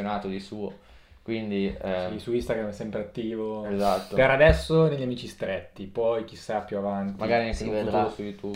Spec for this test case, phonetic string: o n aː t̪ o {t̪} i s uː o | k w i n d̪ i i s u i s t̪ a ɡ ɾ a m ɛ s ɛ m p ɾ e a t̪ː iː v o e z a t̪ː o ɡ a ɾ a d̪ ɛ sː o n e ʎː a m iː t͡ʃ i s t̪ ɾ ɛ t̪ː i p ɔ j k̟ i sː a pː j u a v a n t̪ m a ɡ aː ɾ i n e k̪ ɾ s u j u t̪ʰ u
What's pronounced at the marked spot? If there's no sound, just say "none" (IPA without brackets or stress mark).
d̪